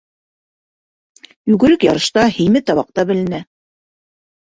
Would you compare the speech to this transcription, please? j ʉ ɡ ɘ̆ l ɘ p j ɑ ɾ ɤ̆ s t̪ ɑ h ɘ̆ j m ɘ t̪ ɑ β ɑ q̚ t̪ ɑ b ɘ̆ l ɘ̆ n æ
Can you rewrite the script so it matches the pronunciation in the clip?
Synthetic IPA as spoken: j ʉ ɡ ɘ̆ ɾ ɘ k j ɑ ɾ ɤ̆ ʃ t̪ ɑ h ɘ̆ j m ɘ t̪ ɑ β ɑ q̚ t̪ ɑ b ɘ̆ l ɘ̆ n æ